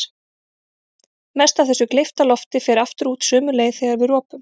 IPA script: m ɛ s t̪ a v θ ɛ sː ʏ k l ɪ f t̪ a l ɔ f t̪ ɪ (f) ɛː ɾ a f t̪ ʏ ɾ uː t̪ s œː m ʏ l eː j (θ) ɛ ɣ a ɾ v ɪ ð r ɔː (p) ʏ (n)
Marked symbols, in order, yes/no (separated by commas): yes, yes, yes, no